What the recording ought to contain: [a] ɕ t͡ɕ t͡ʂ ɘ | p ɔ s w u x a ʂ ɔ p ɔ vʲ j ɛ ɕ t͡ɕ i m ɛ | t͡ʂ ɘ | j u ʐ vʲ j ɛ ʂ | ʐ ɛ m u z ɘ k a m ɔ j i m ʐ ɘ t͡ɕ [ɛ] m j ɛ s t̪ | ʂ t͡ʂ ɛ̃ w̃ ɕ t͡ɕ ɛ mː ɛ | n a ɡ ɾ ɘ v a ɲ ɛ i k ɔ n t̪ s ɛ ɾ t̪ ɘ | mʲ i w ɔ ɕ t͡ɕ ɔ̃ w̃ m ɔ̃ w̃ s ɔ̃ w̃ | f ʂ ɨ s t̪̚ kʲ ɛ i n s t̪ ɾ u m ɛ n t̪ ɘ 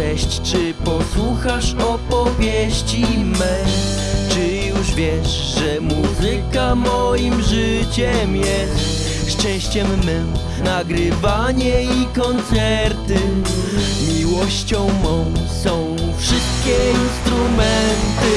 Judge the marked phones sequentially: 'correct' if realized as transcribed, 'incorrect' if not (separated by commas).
incorrect, correct